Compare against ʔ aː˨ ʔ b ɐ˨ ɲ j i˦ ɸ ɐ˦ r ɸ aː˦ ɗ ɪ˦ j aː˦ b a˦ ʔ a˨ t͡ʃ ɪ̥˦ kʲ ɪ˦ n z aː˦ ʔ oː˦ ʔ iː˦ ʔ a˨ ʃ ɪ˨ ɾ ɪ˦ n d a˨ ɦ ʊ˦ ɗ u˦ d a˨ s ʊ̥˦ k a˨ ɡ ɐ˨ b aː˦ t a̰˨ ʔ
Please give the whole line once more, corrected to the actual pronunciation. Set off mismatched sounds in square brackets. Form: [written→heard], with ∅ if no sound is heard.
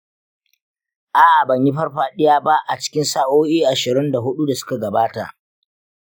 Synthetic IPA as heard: ʔ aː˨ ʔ b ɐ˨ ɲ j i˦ ɸ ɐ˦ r ɸ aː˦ ɗ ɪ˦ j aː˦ b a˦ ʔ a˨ t͡ʃ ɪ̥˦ kʲ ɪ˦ n [z→s] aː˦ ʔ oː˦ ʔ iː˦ ʔ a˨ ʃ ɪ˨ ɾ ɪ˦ n d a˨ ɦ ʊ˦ ɗ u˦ d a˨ s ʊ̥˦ k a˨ ɡ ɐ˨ b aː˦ t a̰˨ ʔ